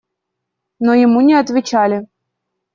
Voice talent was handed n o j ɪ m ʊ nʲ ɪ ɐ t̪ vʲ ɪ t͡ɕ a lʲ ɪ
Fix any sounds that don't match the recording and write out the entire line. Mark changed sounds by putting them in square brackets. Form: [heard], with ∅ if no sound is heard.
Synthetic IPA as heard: n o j ɪ m [u] nʲ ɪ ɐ t̪ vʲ ɪ t͡ɕ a lʲ ɪ